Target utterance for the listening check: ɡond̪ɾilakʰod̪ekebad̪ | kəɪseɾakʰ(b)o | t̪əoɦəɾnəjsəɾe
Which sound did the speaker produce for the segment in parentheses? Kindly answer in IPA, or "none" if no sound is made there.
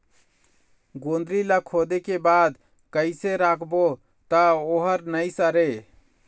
b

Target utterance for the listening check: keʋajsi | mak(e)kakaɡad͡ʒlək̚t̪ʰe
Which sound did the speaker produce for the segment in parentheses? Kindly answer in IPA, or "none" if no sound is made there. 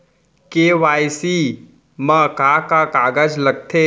a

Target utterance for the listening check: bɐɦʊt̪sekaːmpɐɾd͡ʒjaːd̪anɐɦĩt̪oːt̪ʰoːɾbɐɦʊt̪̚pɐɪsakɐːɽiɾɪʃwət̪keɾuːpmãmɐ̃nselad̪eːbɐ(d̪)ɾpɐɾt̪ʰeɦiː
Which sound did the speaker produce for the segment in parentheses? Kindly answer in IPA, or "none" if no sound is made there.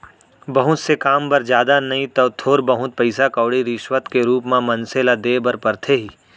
none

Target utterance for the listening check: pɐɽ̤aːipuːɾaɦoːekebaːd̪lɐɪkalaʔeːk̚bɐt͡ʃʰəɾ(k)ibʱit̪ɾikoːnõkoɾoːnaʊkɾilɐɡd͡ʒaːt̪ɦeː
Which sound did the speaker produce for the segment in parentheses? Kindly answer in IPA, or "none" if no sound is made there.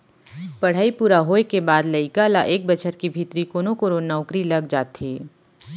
k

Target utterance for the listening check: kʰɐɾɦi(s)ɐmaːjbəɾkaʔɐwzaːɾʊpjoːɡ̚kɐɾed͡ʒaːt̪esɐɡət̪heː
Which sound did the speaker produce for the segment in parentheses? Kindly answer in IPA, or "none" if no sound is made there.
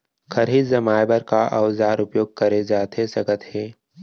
z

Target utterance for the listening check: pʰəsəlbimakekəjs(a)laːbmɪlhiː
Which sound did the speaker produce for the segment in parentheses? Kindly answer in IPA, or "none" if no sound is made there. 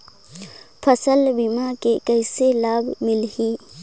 e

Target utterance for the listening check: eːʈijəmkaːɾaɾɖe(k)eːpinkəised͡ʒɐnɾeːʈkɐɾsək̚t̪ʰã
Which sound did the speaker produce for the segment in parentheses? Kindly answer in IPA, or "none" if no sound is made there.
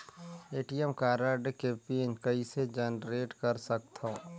k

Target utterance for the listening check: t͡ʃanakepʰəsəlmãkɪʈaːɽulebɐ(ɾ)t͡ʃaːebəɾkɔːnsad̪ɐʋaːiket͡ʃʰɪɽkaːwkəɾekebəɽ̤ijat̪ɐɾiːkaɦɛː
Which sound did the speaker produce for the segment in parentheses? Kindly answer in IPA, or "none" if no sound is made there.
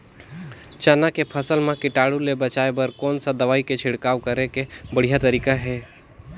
none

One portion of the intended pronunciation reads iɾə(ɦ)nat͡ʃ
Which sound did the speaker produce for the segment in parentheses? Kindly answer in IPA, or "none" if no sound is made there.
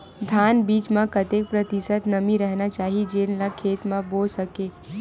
ɦ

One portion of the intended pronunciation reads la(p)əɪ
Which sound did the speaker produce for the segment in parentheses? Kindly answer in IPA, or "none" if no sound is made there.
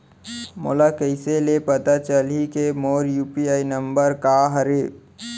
k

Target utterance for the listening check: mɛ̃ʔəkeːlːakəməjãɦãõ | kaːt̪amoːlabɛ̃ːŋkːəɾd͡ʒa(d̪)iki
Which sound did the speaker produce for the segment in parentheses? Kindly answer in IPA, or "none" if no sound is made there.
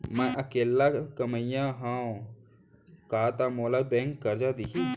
d̪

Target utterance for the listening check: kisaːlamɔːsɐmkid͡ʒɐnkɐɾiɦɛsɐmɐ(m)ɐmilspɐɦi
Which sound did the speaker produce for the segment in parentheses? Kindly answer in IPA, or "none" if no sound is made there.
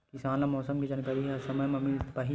m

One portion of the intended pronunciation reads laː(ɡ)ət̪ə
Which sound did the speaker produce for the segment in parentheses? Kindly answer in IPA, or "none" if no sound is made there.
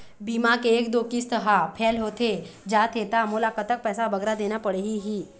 k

